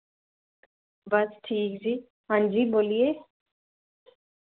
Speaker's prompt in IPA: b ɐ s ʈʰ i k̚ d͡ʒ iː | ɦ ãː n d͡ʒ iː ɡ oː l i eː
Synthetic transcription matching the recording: b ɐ s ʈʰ iː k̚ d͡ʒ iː | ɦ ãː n d͡ʒ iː b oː l i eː